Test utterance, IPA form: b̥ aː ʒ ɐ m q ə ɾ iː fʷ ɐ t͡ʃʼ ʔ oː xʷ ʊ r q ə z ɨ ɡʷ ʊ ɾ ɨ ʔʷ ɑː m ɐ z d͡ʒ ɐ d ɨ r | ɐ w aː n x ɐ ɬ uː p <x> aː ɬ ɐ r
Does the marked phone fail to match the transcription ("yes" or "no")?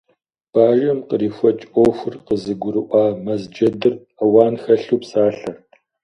yes